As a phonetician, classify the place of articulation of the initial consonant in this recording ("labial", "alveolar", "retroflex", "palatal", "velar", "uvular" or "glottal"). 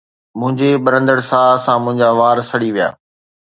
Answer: labial